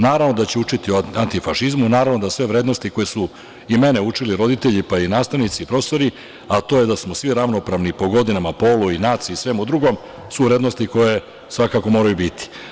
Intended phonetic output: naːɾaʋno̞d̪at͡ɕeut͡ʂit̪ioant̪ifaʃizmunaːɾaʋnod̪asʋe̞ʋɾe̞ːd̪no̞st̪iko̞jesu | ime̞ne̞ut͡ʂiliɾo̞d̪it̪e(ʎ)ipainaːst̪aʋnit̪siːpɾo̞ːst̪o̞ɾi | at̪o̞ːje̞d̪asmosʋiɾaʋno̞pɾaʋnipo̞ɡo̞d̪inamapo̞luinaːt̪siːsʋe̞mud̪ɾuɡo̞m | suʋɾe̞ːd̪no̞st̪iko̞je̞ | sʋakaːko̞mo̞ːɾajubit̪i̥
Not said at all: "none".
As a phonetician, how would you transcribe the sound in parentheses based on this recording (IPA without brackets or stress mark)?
ʎ